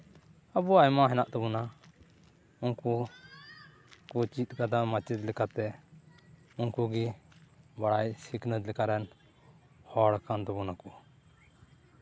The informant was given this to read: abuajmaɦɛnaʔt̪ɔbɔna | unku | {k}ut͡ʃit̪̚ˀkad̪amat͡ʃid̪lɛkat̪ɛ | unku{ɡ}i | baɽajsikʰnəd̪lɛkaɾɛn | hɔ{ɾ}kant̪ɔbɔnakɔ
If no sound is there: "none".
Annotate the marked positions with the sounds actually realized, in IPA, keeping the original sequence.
k, ɡ, ɽ

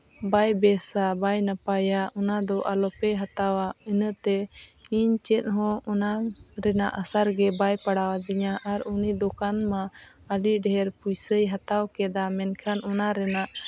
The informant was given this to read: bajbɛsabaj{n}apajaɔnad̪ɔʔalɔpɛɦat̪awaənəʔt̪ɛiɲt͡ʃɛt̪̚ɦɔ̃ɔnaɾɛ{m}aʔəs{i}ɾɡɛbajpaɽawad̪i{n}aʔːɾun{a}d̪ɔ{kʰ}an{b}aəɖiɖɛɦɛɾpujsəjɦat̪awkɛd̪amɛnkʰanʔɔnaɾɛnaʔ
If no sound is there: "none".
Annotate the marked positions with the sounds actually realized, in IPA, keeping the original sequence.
n, n, a, ɲ, i, k, m

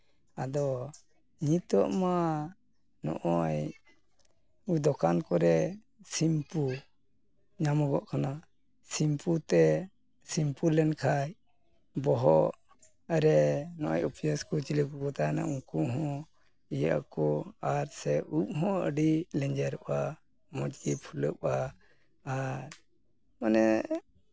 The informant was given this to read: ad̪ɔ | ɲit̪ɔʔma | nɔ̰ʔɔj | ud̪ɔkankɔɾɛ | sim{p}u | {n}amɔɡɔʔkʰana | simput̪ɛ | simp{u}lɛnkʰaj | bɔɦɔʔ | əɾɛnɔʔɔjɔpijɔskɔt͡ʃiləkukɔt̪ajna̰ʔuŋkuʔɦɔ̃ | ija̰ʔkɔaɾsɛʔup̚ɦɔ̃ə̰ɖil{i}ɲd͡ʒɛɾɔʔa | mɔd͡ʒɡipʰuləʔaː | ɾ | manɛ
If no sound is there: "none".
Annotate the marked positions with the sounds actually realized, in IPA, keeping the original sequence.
p, ɲ, u, ɛ

